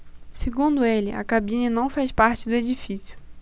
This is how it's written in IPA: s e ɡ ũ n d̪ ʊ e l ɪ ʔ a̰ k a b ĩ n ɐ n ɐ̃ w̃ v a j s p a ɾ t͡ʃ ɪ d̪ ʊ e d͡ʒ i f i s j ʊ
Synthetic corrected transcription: s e ɡ ũ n d̪ ʊ e l ɪ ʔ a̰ k a b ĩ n ɐ n ɐ̃ w̃ f a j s p a ɾ t͡ʃ ɪ d̪ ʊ e d͡ʒ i f i s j ʊ